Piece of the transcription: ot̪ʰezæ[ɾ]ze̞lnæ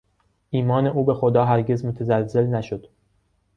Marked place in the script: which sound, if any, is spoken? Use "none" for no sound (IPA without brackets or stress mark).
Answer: l